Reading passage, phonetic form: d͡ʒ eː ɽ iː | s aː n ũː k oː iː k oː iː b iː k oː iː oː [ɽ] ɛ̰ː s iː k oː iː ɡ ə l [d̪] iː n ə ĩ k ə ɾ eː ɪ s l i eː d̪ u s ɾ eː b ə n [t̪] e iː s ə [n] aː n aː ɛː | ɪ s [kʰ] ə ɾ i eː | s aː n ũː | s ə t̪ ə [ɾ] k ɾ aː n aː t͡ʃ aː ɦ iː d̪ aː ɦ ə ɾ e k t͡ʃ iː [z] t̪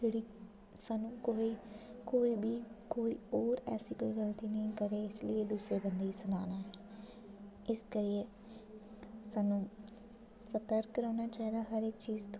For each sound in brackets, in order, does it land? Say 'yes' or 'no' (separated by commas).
no, no, no, yes, no, yes, yes